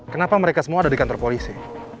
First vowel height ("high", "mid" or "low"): mid